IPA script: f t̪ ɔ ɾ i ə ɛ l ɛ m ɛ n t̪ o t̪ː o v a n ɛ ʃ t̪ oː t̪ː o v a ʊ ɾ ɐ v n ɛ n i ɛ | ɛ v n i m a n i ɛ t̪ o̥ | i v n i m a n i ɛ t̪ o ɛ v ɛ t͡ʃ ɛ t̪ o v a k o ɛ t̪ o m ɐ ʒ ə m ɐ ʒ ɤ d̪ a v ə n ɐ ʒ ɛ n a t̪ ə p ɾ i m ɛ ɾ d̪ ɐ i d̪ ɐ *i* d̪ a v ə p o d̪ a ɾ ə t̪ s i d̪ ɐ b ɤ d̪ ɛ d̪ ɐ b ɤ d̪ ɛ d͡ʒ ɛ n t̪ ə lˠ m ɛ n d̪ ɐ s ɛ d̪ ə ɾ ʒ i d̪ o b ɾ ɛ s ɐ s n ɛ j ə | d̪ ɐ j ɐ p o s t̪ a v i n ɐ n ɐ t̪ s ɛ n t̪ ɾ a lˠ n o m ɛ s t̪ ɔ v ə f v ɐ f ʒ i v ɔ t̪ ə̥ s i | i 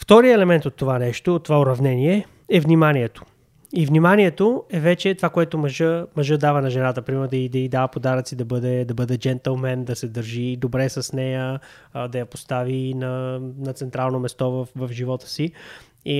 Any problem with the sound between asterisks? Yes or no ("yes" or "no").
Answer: no